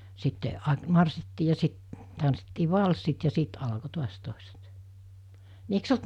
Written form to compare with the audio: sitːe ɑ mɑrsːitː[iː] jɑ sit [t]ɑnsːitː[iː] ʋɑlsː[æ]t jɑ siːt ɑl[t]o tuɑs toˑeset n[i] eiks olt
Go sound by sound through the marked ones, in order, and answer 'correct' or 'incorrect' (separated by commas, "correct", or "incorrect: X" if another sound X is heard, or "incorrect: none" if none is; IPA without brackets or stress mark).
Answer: correct, correct, correct, incorrect: i, incorrect: k, correct